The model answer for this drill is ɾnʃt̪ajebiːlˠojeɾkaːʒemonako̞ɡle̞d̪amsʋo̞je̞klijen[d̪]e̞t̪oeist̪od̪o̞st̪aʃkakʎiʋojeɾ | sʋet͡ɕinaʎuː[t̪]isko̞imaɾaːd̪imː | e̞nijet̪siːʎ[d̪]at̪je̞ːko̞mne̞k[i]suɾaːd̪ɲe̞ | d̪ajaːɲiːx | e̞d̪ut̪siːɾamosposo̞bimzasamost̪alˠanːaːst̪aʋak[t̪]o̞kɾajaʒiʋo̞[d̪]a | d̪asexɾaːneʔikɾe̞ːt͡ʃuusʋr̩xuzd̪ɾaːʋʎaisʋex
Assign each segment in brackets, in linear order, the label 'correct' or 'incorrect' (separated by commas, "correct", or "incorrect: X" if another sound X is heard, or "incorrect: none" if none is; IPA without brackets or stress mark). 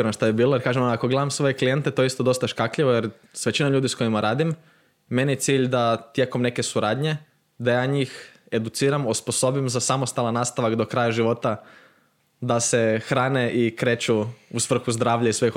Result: incorrect: t̪, incorrect: d̪, correct, incorrect: e, incorrect: d̪, incorrect: t̪